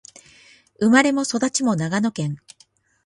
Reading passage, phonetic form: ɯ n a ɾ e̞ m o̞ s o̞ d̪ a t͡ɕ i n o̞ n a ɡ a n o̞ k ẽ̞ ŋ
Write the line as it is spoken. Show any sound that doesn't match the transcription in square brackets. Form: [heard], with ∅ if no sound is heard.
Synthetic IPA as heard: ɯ [m] a ɾ e̞ m o̞ s o̞ d̪ a t͡ɕ i [m] o̞ n a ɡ a n o̞ k ẽ̞ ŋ